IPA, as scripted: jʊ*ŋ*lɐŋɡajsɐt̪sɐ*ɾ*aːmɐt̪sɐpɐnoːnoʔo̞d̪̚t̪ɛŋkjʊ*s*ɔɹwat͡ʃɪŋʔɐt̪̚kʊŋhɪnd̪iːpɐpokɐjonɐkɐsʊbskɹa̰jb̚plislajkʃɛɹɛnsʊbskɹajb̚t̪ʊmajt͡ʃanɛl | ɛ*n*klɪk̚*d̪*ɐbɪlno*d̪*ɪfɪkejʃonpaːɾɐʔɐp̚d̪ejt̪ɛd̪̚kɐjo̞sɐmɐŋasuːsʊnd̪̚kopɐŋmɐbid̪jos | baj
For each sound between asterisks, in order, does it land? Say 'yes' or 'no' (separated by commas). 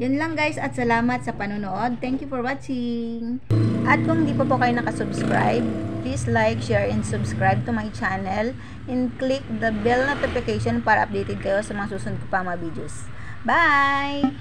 no, no, no, yes, yes, no